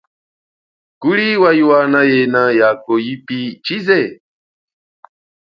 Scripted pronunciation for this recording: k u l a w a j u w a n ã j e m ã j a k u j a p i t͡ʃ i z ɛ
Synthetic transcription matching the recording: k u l i w a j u w a n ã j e n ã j a k o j i p i t͡ʃ i z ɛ